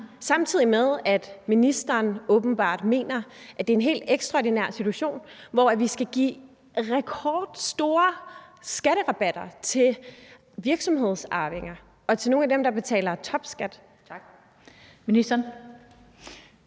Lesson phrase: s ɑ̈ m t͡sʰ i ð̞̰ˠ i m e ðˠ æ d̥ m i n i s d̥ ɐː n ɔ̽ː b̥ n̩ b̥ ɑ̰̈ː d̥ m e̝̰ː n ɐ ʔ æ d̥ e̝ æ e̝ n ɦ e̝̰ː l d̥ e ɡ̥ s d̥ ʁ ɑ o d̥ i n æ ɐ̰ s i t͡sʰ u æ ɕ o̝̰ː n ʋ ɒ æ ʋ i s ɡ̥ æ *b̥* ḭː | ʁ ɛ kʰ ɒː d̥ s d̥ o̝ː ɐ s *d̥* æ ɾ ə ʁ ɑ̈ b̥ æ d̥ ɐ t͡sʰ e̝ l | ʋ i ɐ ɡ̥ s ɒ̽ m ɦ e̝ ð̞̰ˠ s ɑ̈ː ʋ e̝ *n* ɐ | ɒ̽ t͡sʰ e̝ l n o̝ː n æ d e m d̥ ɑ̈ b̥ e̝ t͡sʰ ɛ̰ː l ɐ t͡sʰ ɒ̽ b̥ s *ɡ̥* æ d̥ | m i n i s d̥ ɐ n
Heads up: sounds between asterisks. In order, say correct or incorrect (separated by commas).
incorrect, incorrect, incorrect, correct